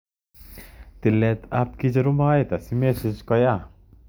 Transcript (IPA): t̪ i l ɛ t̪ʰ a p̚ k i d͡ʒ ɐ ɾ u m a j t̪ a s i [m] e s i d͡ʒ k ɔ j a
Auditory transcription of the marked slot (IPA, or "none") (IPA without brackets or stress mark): m